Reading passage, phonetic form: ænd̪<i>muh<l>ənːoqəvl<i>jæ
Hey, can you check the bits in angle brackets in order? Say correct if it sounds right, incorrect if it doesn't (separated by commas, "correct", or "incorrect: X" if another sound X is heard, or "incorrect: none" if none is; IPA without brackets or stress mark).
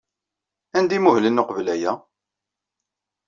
correct, correct, incorrect: æ